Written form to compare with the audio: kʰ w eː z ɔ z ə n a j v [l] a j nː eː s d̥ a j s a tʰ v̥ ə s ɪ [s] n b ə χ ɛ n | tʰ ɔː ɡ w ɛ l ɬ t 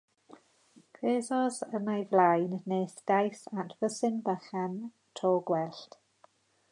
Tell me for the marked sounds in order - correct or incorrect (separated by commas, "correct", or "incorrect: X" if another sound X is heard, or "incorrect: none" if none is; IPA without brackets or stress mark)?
correct, incorrect: none